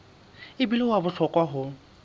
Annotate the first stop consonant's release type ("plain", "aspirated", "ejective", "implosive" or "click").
plain